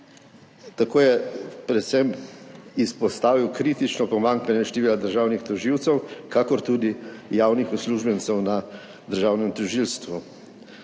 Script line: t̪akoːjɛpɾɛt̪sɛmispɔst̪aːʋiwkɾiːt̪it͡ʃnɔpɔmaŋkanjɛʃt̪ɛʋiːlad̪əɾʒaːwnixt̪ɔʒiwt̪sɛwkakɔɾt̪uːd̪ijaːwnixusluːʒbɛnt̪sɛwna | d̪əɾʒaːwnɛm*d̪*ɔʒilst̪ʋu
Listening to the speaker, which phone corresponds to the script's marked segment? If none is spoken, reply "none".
t̪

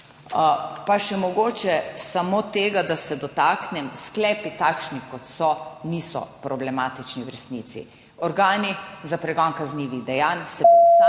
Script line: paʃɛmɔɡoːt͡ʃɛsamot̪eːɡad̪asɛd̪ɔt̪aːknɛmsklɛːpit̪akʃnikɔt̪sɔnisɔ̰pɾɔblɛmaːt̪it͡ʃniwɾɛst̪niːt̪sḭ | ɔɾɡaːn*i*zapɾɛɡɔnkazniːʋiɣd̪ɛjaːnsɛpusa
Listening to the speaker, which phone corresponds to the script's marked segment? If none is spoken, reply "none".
i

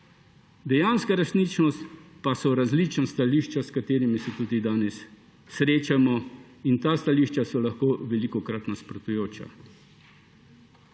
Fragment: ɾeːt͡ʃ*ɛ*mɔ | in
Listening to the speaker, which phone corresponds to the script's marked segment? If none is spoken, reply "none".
a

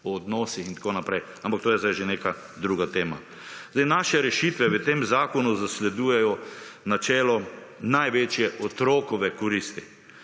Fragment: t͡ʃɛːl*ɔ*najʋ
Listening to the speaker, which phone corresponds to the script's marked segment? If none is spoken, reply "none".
ɔ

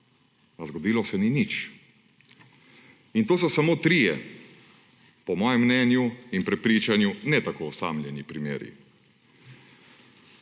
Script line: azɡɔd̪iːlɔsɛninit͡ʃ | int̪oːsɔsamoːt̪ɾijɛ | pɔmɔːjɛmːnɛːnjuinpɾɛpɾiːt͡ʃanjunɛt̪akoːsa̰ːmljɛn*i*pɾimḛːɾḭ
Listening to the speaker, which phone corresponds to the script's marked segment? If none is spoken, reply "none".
i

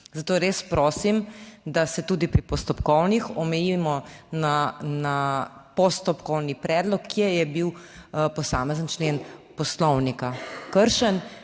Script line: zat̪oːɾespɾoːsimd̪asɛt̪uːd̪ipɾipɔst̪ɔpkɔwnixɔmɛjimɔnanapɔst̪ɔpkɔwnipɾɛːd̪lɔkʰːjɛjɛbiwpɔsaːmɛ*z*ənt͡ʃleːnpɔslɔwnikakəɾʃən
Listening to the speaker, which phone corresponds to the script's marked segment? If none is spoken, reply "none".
z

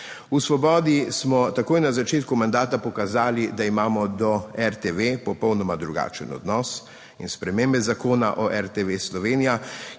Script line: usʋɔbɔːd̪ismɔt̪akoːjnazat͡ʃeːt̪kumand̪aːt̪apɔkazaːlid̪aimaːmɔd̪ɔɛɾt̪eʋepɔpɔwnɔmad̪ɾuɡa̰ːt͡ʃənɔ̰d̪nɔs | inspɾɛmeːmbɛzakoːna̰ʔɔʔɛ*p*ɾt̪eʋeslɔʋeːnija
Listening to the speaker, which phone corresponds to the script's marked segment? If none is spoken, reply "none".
none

